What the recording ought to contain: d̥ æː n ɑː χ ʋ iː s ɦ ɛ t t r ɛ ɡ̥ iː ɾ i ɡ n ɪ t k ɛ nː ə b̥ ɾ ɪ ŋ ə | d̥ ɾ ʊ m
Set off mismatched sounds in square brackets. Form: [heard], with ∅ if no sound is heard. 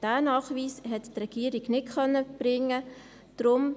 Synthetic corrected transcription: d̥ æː n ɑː χ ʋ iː s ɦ ɛ t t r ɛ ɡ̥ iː ɾ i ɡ n ɪ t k [œ] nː ə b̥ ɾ ɪ ŋ ə | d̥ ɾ ʊ m